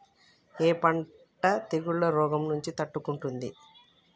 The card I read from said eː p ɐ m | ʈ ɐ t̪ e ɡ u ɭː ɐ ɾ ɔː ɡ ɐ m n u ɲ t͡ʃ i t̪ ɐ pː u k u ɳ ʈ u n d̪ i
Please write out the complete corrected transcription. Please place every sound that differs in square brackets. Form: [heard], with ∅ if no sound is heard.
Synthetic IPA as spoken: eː p ɐ [ɳ] | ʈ ɐ t̪ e ɡ u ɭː ɐ ɾ ɔː ɡ ɐ m n u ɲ t͡ʃ i t̪ ɐ [ʈː] u k u ɳ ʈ u n d̪ i